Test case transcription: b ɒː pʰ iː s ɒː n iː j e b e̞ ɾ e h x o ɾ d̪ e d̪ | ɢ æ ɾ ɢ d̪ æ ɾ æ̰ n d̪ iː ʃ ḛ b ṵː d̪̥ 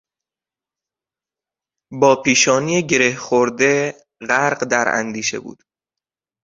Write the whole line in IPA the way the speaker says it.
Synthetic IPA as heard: b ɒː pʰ iː ʃ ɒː n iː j e ɟ e̞ ɾ e h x o ɾ d̪ e | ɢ æ ɾ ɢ d̪ æ ɾ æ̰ n d̪ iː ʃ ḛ b ṵː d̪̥